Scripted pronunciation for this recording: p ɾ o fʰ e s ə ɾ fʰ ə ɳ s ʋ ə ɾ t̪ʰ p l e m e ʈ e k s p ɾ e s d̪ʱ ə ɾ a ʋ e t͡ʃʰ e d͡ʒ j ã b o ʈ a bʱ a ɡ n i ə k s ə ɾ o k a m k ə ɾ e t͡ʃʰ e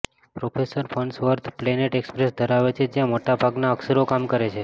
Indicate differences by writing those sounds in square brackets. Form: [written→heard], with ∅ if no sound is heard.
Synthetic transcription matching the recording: p ɾ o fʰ e s ə ɾ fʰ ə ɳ s ʋ ə ɾ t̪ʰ p l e [m→n] e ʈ e k s p ɾ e s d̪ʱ ə ɾ a ʋ e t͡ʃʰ e d͡ʒ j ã [b→m] o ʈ a bʱ a ɡ n [i→a] ə k s ə ɾ o k a m k ə ɾ e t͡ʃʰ e